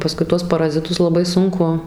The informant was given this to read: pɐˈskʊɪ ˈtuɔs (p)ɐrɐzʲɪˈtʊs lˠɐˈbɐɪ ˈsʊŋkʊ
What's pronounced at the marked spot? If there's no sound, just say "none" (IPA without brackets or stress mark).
p